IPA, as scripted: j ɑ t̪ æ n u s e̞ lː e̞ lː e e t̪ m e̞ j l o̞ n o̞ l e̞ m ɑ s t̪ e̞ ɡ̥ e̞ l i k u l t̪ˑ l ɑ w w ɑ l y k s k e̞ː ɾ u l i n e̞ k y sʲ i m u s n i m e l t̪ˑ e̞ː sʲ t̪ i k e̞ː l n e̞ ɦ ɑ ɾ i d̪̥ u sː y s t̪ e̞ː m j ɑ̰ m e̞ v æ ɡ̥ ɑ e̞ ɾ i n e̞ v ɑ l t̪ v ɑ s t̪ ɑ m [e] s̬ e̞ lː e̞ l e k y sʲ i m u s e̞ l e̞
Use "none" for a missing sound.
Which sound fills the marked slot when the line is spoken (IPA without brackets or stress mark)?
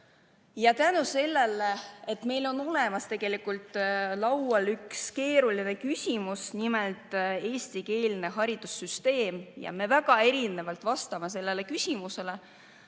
e